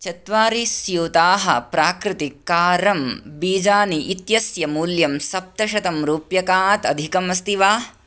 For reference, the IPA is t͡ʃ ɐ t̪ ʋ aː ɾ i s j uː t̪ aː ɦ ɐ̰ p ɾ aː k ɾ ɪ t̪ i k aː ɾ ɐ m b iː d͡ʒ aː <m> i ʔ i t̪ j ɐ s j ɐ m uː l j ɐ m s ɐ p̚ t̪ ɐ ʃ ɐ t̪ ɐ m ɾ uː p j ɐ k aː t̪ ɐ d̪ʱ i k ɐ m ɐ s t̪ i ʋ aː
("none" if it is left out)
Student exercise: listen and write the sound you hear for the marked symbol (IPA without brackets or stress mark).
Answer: n